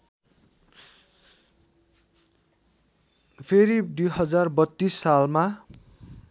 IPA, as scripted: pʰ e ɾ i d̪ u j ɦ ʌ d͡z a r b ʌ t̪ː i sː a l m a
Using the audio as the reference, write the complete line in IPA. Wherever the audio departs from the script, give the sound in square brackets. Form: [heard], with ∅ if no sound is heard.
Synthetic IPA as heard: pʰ e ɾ i d̪ u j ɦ ʌ d͡z a r b ʌ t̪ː i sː a l m a